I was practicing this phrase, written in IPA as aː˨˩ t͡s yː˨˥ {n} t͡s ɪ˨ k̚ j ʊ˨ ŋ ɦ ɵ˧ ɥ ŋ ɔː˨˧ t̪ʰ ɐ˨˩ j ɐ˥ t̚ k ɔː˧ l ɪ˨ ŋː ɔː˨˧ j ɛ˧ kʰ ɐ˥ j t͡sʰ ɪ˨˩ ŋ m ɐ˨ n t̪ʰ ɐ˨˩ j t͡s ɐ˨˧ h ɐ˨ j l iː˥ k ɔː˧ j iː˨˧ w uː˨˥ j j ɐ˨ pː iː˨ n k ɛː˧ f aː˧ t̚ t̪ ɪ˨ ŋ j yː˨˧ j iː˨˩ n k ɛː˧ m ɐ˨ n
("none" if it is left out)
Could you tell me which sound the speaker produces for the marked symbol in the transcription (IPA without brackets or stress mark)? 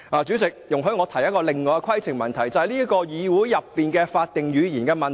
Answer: none